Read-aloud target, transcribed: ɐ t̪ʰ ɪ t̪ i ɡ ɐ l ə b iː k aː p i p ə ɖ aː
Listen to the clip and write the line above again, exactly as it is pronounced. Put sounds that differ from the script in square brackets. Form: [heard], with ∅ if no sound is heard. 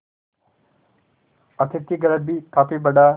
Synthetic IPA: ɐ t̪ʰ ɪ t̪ i ɡ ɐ [ɾ] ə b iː k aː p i [b] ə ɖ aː

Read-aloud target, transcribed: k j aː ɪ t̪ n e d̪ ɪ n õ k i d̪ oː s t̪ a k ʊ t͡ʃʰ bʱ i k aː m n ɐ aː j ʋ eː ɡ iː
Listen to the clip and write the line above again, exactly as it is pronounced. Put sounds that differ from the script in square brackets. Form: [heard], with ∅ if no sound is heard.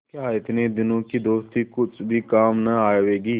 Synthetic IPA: k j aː ɪ t̪ n e d̪ ɪ n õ k i d̪ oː s t̪ [i] k ʊ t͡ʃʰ bʱ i k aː m n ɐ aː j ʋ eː ɡ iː

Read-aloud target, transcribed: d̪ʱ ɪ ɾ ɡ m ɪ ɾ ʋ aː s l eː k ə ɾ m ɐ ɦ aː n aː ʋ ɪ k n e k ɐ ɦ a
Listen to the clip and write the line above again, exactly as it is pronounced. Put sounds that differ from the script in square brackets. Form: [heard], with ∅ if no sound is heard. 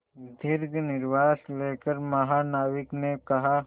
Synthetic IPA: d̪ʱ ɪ ɾ ɡ [n] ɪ ɾ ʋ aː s l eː k ə ɾ m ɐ ɦ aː n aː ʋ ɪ k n e k ɐ ɦ a

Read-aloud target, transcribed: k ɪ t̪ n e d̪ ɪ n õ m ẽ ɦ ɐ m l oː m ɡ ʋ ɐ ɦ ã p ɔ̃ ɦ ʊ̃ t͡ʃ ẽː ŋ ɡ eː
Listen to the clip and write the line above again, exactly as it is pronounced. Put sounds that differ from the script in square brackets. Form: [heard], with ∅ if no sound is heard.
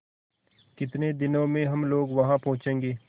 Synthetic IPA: k ɪ t̪ n e d̪ ɪ n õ m ẽ ɦ ɐ m l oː [∅] ɡ ʋ ɐ ɦ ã p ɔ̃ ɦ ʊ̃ t͡ʃ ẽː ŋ ɡ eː

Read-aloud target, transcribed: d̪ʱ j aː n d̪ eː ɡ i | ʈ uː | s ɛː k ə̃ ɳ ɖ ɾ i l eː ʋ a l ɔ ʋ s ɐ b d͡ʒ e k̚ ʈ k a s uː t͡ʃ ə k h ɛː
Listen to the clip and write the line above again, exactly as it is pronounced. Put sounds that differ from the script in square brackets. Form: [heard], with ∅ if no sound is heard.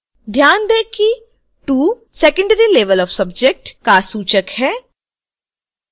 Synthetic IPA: d̪ʱ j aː n d̪ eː [k] i | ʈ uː | s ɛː k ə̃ ɳ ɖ ɾ i l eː ʋ [ə] l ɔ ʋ s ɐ b d͡ʒ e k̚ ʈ k a s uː t͡ʃ ə k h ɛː

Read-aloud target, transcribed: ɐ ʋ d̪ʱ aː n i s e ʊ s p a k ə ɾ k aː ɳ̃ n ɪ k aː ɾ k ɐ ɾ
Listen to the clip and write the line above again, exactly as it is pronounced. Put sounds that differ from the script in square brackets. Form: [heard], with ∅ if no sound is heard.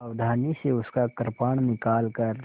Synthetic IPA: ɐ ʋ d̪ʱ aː n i s e ʊ s [k] a k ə ɾ [p] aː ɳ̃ n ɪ k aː [l] k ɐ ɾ

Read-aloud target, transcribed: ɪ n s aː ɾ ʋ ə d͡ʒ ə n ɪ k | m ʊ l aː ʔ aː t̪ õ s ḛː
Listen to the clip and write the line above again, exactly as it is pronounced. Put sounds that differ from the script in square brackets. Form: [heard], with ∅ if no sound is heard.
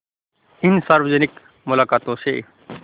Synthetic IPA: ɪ n s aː ɾ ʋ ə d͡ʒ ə n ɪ k | m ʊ l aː [k] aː t̪ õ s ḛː

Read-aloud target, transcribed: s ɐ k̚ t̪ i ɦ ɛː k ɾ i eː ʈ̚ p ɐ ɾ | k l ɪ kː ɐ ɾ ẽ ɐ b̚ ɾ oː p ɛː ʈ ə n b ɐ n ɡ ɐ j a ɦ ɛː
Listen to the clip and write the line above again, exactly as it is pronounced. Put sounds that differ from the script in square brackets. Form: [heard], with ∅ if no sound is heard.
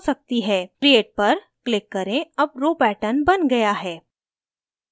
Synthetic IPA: s ɐ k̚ t̪ i ɦ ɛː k ɾ i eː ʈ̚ p ɐ ɾ | k l ɪ kː ɐ ɾ ẽ ɐ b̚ ɾ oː p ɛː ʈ ə n b ɐ n ɡ ɐ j a ɦ ɛː

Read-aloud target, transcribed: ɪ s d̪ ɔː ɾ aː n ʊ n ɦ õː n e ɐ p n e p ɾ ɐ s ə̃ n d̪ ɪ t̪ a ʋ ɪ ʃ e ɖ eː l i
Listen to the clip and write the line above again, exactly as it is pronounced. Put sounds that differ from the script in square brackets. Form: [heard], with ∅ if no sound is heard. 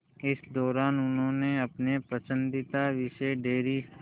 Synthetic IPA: ɪ s d̪ ɔː ɾ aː n ʊ n ɦ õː n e ɐ p n e p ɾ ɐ s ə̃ n d̪ ɪ t̪ a ʋ ɪ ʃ e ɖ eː [ɾ] i

